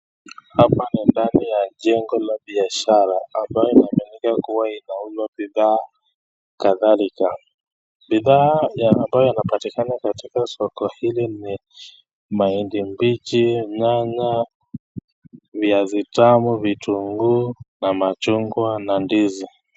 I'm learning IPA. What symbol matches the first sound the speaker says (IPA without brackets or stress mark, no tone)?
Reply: h